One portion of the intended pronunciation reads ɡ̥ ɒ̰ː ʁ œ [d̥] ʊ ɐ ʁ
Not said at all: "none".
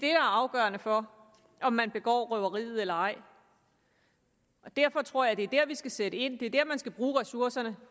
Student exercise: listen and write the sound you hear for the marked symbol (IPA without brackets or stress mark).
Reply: none